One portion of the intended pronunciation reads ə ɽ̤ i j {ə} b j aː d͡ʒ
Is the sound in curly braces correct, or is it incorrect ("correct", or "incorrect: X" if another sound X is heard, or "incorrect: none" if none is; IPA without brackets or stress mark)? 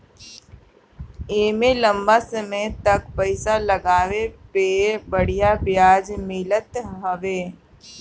incorrect: a